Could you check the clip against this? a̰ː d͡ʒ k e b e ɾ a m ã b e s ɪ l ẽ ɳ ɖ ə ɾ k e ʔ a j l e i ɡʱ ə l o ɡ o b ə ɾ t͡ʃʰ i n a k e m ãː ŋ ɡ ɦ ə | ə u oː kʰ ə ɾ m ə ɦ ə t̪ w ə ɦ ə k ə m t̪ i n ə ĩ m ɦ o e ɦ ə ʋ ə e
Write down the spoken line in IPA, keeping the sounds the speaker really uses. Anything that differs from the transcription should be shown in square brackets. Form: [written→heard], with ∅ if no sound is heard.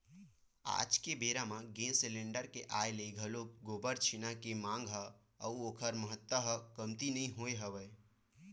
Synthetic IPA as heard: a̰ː d͡ʒ k e b e ɾ a m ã [b→ɡ] e s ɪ l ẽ ɳ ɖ ə ɾ k e ʔ a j l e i ɡʱ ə l o ɡ o b ə ɾ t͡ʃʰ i n a k e m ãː ŋ ɡ ɦ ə | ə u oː kʰ ə ɾ m ə ɦ ə t̪ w ə ɦ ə k ə m t̪ i n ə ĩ [m→∅] ɦ o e ɦ ə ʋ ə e